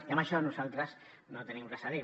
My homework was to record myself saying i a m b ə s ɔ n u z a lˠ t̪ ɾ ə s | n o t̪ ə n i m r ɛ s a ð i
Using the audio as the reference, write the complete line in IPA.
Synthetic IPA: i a m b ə ʃ ɔ n u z a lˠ t̪ ɾ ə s | n o t̪ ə n i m r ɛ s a ð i